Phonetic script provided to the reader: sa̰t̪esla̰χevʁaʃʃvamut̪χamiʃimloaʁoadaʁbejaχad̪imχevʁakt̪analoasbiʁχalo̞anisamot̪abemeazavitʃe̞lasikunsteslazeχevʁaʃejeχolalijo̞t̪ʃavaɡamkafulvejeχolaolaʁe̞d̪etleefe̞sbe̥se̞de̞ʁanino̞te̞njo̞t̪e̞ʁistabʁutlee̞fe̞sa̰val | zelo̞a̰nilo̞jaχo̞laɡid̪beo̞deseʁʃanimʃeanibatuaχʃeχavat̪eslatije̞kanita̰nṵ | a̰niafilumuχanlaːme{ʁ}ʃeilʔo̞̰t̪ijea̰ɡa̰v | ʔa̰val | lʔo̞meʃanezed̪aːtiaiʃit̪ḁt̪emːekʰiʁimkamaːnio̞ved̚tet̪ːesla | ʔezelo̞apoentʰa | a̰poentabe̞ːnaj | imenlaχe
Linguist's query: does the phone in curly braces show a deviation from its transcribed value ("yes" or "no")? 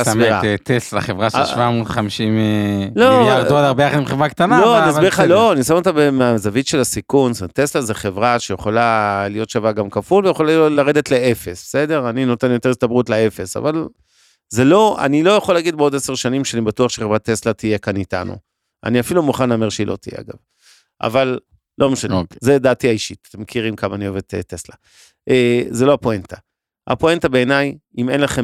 no